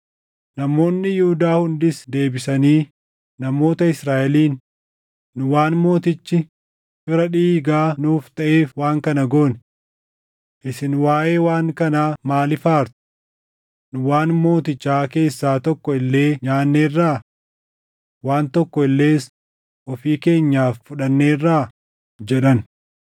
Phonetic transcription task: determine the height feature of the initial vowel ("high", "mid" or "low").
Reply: low